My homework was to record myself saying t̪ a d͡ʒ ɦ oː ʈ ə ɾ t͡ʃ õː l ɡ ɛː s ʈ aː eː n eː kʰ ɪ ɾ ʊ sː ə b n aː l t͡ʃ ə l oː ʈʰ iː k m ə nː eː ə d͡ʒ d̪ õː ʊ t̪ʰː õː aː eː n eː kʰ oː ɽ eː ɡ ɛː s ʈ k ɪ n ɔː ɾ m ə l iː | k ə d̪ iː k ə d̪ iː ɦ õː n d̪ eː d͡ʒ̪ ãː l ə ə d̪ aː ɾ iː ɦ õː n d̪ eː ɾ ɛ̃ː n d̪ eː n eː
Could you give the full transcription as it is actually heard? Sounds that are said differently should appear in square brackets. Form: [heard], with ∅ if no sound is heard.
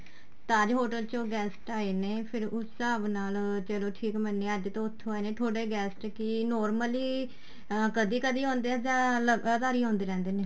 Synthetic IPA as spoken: t̪ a d͡ʒ ɦ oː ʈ ə [l] t͡ʃ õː [∅] ɡ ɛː s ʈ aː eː n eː [pʰ] ɪ ɾ ʊ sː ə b n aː l t͡ʃ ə l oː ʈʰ iː k m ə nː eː ə d͡ʒ [t̪] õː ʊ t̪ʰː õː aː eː n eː [ʈʰ] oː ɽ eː ɡ ɛː s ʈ k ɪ n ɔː ɾ m ə l iː | k ə d̪ iː k ə d̪ iː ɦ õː n d̪ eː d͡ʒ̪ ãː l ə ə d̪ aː ɾ iː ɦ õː n d̪ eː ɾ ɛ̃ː n d̪ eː n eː